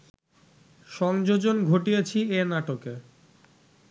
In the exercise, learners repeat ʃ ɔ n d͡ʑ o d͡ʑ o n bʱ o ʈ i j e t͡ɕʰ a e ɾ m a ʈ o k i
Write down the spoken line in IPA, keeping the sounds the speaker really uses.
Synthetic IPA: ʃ ɔ ŋ d͡ʑ o d͡ʑ o n ɡʱ o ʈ i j e t͡ɕʰ i e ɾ n a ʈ o k e